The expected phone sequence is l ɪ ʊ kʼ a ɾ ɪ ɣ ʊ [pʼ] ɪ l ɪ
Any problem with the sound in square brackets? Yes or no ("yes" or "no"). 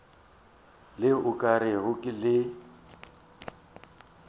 yes